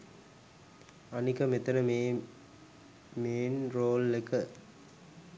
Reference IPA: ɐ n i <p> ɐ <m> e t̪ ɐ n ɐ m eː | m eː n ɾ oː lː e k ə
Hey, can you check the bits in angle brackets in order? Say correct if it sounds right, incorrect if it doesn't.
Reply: incorrect: k, correct

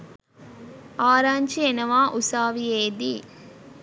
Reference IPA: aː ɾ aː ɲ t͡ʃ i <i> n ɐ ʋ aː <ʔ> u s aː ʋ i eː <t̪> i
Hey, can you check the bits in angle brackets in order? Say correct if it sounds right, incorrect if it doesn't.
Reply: incorrect: e, correct, incorrect: d̪

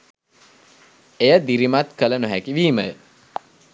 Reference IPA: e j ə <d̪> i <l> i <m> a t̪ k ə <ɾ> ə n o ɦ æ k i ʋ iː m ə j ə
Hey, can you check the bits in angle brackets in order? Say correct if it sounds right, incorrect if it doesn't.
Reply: correct, incorrect: ɾ, correct, incorrect: l

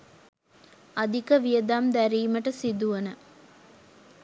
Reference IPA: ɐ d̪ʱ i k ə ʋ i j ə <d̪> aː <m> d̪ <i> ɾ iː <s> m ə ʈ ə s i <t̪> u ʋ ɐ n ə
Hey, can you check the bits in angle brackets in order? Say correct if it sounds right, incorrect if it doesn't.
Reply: correct, correct, incorrect: æ, incorrect: none, incorrect: d̪

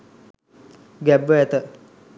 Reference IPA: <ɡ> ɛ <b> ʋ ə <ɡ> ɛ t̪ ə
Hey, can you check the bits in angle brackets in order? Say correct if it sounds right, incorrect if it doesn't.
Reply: correct, correct, incorrect: none

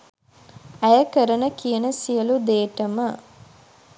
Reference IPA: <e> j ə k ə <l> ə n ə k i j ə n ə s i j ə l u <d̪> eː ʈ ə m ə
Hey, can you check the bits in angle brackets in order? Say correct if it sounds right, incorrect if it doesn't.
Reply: incorrect: æ, incorrect: ɾ, correct

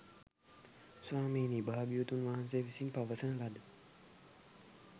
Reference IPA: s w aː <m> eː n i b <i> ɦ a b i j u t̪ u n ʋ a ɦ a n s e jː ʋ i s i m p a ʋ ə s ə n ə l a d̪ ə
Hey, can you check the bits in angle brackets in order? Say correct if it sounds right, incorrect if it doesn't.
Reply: correct, incorrect: a

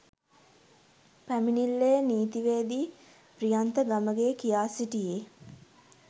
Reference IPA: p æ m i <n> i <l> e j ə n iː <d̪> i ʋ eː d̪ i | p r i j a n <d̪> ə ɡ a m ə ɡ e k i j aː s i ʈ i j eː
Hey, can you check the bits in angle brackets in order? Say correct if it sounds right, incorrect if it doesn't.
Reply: correct, incorrect: lː, incorrect: t̪, incorrect: t̪

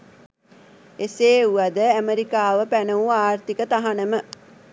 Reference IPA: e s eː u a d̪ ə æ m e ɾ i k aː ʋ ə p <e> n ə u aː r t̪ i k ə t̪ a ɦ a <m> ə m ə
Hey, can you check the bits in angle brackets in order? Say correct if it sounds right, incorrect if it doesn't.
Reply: incorrect: æ, incorrect: n

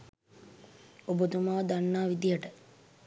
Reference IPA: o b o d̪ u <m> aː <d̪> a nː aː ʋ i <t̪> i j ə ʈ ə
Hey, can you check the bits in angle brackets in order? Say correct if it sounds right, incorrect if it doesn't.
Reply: correct, correct, incorrect: d̪

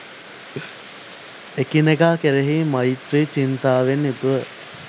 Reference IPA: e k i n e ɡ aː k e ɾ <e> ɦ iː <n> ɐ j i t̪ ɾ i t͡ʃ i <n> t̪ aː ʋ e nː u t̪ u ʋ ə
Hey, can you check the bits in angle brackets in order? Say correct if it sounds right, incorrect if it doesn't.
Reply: correct, incorrect: m, correct

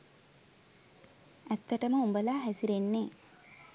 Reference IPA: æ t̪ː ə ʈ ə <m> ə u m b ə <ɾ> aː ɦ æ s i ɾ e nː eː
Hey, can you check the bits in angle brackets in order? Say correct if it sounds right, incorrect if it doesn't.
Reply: correct, incorrect: l

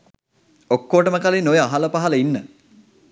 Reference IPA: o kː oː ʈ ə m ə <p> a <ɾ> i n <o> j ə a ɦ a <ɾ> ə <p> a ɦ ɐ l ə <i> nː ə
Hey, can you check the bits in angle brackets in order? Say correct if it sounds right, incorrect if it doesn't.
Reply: incorrect: k, incorrect: l, correct, incorrect: l, correct, correct

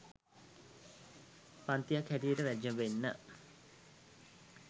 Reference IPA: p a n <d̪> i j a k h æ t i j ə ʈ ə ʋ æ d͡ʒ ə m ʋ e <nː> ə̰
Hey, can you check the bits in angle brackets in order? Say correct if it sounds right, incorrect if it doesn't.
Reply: incorrect: t̪, correct

